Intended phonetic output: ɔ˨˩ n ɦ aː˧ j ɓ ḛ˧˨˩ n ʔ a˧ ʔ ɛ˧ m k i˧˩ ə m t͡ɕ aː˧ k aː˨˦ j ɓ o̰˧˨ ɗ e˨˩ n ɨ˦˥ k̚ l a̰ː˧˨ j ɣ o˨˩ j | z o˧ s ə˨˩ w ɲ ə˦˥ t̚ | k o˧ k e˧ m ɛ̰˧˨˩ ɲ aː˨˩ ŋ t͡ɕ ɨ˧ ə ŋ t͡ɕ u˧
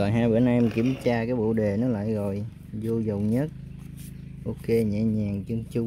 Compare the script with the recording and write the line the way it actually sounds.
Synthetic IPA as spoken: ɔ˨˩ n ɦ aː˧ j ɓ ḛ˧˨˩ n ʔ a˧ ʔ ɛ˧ m k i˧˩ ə m t͡ɕ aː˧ k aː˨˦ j ɓ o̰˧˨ ɗ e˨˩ n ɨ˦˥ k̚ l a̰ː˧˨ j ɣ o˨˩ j | z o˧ z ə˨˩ w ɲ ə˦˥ t̚ | ʔ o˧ k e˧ ɲ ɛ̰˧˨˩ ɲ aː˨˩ ŋ t͡ɕ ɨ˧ ə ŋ t͡ɕ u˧